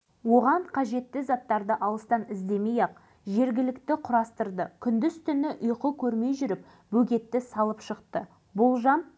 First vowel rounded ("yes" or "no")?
yes